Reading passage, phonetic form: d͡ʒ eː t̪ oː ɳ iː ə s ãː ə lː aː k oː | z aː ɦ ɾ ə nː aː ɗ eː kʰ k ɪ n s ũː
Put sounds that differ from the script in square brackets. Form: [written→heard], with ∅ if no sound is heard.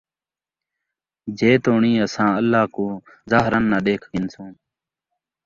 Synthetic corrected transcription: d͡ʒ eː t̪ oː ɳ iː ə s ãː ə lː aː k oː | z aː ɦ ɾ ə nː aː ɗ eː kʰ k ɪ n s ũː